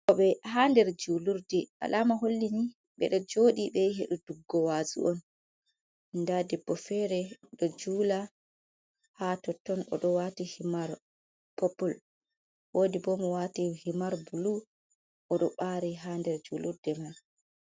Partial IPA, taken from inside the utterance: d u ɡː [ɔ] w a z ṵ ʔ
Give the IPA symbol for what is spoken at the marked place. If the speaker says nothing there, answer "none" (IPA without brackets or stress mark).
ɔ